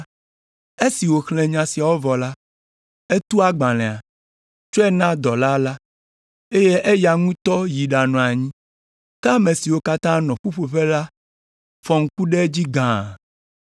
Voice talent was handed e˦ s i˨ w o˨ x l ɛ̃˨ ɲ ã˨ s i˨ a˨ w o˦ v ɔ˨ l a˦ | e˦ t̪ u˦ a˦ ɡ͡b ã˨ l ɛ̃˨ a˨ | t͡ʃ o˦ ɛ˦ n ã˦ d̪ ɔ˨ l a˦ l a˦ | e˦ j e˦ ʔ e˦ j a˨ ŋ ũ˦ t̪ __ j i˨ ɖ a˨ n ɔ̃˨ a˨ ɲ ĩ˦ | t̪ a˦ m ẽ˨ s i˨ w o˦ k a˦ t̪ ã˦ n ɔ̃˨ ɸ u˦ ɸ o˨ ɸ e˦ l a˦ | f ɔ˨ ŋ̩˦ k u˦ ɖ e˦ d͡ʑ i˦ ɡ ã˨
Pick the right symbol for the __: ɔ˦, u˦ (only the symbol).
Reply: ɔ˦